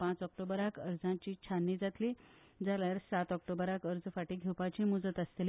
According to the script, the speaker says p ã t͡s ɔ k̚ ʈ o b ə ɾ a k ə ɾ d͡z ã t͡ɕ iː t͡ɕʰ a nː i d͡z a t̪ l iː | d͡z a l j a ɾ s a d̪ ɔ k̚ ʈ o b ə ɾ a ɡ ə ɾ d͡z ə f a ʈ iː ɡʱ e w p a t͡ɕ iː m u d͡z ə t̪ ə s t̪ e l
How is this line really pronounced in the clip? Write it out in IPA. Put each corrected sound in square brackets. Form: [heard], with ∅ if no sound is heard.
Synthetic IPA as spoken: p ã t͡s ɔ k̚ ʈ o b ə ɾ a k ə ɾ d͡z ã t͡ɕ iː t͡ɕʰ a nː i d͡z a t̪ l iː | d͡z a l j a ɾ s a [t̪] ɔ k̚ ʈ o b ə ɾ a [k] ə ɾ d͡z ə f a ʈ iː ɡʱ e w p a t͡ɕ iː m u d͡z ə t̪ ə s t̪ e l